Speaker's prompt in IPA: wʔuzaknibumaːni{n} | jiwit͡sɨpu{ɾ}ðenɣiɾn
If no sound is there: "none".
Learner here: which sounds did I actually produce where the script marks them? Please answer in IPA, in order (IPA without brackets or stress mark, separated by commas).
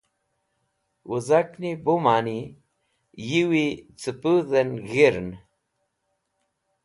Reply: none, none